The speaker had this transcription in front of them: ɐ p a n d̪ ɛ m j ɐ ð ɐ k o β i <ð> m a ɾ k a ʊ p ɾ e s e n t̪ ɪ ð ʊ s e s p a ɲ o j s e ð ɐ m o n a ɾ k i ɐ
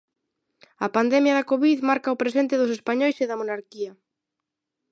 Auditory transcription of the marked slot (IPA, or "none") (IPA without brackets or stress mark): ð